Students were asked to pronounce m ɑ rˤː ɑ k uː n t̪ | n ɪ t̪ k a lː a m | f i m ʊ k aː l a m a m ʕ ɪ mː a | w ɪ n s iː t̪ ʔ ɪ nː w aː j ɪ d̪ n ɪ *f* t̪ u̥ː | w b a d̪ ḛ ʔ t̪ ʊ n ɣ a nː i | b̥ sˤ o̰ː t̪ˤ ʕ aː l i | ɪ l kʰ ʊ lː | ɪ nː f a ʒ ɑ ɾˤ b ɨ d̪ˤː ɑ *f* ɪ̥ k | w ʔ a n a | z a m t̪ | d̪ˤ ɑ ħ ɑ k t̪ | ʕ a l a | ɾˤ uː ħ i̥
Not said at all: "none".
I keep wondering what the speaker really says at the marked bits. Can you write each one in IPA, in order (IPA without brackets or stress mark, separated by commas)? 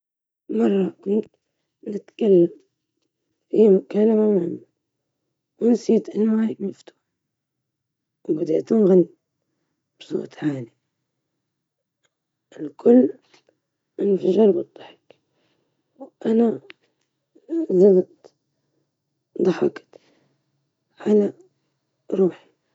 f, ħ